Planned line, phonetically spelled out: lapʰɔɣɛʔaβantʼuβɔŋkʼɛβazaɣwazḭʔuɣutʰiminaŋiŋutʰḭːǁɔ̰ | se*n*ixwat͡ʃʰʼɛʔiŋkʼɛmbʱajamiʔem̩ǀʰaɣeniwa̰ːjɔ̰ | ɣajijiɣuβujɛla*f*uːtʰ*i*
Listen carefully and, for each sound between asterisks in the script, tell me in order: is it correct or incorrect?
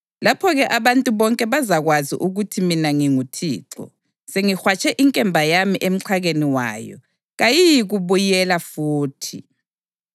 incorrect: ŋ, correct, correct

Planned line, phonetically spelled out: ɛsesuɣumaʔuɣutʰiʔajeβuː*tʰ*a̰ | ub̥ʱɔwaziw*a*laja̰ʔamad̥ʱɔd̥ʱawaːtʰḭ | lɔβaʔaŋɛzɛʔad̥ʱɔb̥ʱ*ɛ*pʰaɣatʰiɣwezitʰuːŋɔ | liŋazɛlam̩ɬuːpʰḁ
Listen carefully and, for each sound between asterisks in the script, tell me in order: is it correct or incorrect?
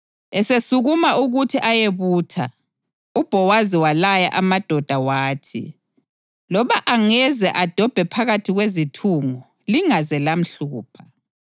correct, correct, correct

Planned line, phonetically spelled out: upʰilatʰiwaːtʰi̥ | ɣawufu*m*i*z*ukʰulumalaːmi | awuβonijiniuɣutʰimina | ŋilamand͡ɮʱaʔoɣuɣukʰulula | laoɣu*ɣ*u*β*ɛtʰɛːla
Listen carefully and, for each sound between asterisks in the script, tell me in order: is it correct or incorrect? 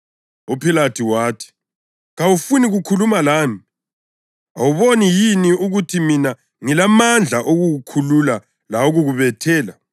incorrect: n, incorrect: ɣ, correct, correct

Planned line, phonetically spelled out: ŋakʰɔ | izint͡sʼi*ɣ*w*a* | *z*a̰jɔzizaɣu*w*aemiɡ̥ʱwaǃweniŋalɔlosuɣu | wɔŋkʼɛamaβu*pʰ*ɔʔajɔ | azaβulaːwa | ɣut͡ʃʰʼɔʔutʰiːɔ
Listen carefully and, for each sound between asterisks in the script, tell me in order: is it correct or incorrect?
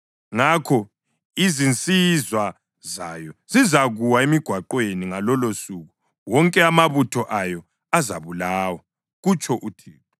incorrect: z, correct, correct, correct, incorrect: tʰ

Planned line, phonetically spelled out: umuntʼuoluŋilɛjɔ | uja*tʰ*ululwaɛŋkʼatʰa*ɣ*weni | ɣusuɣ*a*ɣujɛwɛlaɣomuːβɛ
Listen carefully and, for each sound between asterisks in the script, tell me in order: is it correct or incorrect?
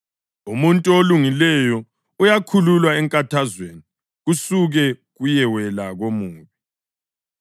incorrect: kʰ, incorrect: z, incorrect: ɛ

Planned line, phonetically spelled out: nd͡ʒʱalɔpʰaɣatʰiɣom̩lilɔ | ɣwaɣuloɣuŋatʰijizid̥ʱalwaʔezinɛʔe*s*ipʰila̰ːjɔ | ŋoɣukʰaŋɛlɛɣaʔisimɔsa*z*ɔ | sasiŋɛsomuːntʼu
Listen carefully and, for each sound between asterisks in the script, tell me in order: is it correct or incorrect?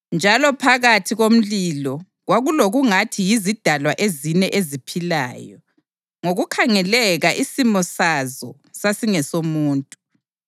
incorrect: z, correct

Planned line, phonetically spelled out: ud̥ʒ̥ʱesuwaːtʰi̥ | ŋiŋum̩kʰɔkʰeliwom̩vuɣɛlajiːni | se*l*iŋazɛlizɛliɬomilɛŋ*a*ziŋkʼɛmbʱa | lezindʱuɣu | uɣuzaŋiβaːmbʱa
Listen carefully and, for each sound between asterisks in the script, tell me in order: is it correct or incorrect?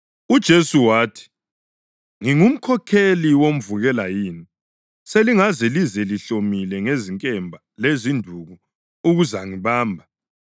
correct, incorrect: e

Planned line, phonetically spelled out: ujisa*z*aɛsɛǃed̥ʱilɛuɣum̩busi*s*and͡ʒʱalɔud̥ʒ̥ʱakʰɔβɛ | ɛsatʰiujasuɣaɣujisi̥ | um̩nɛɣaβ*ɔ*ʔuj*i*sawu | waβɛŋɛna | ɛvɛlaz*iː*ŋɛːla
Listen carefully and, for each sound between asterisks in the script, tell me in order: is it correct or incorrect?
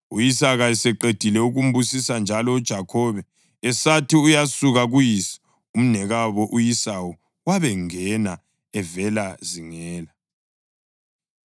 incorrect: ɣ, correct, correct, correct, incorrect: i

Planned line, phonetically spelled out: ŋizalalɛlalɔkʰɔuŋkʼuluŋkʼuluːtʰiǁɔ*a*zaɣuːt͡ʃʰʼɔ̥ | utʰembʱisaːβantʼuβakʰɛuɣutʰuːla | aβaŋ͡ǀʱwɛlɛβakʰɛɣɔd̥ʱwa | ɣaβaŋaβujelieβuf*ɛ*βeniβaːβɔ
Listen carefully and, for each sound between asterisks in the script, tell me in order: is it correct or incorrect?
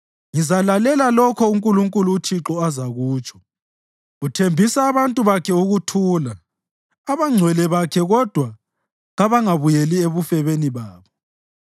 correct, correct

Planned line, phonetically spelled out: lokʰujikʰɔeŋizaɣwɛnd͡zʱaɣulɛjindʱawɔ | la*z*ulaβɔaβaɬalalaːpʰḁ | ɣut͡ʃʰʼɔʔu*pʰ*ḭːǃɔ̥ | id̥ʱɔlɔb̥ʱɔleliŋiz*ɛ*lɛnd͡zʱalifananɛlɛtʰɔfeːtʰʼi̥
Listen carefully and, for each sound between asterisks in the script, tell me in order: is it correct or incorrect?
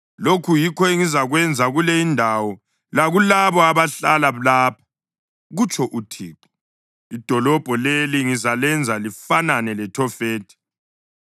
incorrect: ɣ, incorrect: tʰ, incorrect: a

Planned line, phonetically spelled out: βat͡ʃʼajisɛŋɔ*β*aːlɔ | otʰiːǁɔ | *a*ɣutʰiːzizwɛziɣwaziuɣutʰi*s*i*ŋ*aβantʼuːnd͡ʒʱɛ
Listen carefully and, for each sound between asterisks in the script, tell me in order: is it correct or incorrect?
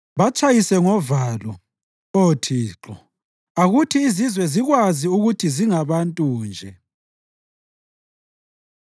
incorrect: v, correct, incorrect: z, correct

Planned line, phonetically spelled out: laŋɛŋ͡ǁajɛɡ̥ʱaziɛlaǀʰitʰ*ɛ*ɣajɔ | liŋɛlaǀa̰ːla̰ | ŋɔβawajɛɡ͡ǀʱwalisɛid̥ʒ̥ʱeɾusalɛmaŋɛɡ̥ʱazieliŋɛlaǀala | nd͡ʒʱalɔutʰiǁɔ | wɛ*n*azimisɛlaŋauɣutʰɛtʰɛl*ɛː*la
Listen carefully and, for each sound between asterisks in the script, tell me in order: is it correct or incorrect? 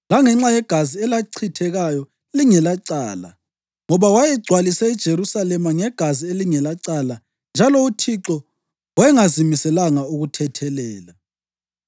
correct, incorrect: ŋ, correct

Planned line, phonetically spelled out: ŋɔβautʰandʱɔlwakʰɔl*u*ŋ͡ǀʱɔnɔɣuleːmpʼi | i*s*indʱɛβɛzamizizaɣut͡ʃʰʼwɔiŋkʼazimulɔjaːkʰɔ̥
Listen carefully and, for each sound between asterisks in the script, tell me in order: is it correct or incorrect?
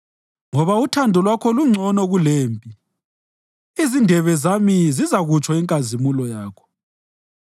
correct, incorrect: z

